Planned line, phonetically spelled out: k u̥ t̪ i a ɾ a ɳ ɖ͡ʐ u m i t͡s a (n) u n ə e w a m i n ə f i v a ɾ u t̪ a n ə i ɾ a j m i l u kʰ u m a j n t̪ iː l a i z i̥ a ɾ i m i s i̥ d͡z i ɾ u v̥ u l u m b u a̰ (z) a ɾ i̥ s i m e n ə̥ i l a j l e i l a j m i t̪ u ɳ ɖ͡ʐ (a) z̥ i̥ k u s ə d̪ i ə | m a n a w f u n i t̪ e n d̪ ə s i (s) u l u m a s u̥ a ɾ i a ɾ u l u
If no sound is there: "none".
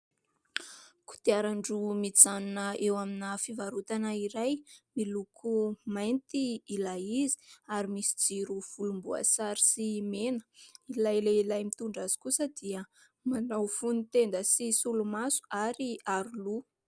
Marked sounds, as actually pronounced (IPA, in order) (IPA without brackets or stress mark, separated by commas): n, s, a, s